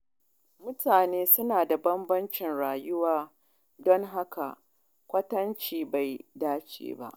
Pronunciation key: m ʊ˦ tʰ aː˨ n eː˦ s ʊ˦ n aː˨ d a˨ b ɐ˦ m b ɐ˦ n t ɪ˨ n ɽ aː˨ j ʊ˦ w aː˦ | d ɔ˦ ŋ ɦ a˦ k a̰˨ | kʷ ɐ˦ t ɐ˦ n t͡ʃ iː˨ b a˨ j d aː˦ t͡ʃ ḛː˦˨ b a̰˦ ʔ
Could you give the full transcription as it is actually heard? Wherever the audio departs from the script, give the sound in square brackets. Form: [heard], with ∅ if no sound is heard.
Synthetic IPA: m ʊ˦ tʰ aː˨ n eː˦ s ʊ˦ n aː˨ d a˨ b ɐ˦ m b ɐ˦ n [t͡ʃ] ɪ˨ n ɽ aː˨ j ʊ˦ w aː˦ | d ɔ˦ ŋ ɦ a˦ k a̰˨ | kʷ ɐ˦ t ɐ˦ n t͡ʃ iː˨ b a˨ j d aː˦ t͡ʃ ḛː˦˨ b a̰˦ ʔ